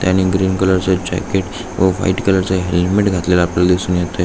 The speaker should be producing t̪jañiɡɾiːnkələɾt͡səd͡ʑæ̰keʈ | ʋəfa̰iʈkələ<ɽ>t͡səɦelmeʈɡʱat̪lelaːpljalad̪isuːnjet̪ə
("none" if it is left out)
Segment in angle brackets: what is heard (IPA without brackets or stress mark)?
ɾ